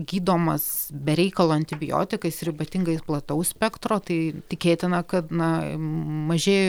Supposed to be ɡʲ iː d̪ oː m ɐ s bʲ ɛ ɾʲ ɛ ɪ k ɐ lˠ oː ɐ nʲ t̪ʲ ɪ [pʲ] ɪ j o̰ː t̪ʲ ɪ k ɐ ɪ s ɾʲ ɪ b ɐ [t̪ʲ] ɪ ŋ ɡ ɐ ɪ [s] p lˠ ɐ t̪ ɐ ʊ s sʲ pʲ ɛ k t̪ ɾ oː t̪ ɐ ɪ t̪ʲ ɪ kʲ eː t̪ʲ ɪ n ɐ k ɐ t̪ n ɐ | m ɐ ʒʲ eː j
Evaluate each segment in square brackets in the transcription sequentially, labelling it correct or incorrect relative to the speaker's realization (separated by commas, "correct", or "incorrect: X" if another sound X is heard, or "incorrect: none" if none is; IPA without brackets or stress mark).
incorrect: bʲ, correct, correct